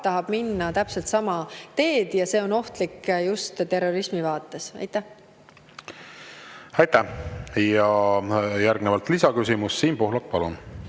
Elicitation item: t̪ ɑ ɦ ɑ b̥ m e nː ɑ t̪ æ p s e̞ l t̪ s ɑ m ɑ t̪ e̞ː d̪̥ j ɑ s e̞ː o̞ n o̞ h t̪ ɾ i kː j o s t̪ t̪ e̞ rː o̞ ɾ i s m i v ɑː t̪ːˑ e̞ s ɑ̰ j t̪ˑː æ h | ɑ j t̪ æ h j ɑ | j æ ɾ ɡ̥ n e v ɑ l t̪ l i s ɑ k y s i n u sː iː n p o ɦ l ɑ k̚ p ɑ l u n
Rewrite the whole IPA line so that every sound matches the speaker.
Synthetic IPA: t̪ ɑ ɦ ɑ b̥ m i nː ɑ t̪ æ p s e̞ l t̪ s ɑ m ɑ t̪ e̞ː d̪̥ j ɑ s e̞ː o̞ n o̞ h t̪ l i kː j u s t̪ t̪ e̞ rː o̞ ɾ i s m i v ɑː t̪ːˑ e̞ s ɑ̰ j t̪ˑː æ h | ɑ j t̪ æ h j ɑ | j æ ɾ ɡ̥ n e v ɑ l t̪ l i s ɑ k y s i m u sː iː n p o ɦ l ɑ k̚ p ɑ l u n